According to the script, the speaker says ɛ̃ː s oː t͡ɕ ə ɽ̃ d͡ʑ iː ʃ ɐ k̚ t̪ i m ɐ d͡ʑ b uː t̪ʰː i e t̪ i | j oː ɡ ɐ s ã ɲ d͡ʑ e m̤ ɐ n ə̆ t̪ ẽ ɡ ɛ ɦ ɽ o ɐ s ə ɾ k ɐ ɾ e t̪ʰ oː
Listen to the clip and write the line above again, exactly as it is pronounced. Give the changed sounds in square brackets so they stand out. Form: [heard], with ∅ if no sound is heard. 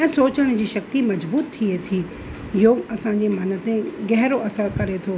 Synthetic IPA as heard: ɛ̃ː s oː t͡ɕ ə ɽ̃ d͡ʑ iː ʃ ɐ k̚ t̪ i m ɐ d͡ʑ b uː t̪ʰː i e [t̪ʰ] i | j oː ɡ ɐ s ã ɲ d͡ʑ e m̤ ɐ n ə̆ t̪ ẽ ɡ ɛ ɦ [ɾ] o ɐ s ə ɾ k ɐ ɾ e t̪ʰ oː